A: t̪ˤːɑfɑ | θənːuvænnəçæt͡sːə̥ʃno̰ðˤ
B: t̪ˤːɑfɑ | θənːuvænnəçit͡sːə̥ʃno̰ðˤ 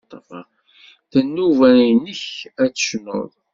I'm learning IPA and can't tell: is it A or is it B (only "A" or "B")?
A